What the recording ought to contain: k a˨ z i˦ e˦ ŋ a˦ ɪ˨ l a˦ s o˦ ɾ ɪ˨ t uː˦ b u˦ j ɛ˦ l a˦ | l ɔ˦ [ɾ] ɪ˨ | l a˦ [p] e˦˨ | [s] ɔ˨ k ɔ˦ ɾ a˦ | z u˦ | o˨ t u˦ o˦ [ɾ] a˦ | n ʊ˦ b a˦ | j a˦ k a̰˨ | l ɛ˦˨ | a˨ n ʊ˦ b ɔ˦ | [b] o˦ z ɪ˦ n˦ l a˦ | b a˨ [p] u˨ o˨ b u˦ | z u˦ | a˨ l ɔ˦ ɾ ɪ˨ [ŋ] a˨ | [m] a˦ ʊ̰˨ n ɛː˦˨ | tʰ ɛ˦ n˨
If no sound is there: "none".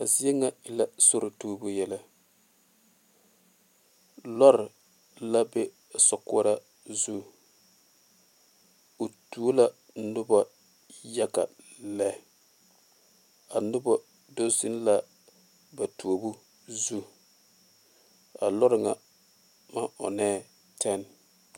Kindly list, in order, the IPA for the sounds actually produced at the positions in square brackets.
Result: ɾ, b, s, l, d, t, ŋ, m

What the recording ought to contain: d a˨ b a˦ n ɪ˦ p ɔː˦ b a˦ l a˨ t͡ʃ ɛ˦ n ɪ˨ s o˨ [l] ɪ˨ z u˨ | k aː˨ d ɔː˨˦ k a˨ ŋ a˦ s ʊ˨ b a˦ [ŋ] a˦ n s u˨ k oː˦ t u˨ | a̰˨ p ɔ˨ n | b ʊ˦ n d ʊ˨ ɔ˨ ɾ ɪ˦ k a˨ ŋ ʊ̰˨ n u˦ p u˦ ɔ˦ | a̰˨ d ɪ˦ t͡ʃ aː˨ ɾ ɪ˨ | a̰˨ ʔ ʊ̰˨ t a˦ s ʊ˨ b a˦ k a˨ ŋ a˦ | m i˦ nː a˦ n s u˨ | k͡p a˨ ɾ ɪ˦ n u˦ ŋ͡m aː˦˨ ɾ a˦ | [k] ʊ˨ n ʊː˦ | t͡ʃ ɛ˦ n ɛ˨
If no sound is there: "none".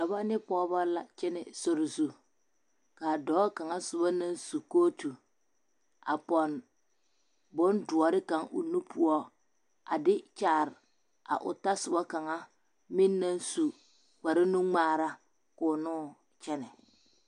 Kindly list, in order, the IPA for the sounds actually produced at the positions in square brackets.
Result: ɾ, n, k

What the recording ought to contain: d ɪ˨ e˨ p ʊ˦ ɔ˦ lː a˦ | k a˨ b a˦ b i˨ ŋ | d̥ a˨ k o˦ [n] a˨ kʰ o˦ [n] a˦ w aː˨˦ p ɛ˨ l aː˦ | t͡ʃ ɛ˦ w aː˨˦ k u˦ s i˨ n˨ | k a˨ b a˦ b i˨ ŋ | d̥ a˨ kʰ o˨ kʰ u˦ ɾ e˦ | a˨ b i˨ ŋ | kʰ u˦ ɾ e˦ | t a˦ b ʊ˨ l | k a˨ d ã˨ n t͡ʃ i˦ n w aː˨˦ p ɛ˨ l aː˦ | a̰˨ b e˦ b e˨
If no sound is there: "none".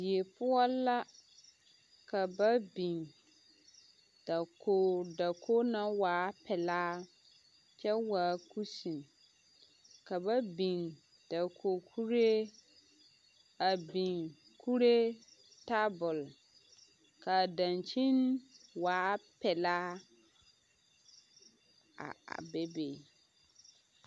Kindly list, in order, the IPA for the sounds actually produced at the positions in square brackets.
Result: d, n

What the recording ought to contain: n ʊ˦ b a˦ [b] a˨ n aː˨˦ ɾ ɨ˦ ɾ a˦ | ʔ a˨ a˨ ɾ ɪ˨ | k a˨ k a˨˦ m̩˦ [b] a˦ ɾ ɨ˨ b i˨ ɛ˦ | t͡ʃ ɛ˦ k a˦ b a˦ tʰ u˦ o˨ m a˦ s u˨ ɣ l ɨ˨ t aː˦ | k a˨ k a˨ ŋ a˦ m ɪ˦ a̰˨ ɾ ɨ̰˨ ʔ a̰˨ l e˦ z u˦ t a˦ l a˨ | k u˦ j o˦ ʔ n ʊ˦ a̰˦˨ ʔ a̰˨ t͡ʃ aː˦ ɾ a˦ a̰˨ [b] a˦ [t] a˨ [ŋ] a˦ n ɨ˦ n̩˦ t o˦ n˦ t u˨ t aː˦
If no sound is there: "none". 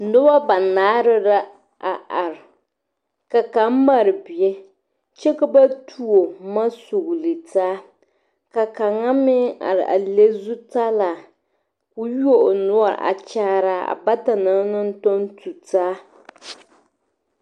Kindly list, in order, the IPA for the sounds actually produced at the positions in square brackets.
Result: b, m, b, t, n

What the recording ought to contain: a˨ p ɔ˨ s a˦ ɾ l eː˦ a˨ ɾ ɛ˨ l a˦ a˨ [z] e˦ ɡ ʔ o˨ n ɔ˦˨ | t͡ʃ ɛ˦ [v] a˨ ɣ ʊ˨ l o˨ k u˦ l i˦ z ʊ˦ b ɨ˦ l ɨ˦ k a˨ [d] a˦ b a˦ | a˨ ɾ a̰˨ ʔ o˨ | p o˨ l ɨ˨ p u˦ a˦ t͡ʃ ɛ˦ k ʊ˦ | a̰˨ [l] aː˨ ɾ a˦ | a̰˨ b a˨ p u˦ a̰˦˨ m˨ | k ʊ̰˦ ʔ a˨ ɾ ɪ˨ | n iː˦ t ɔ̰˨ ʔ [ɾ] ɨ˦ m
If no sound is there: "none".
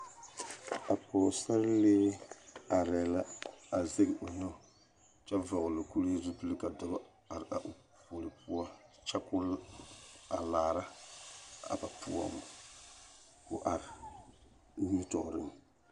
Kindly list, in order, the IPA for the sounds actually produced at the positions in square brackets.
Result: z, v, d, l, ɾ

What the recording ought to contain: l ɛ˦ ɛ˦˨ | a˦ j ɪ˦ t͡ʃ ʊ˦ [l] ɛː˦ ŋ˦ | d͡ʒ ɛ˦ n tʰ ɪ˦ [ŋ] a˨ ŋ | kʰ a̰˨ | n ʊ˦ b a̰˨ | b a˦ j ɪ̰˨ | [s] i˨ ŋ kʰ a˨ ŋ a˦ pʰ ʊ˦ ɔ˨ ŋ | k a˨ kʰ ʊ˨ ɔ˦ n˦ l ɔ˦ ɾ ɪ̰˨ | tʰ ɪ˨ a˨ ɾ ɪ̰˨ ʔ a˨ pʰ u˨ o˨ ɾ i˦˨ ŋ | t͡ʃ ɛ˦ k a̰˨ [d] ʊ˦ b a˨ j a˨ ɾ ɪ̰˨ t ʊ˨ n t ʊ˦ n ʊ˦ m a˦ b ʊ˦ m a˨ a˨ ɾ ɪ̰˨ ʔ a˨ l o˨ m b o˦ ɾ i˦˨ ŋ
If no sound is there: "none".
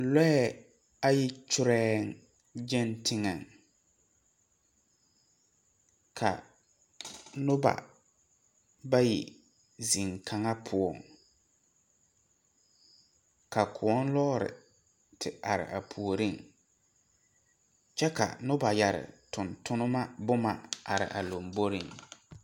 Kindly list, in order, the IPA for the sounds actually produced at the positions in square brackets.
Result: ɾ, ŋ, z, n

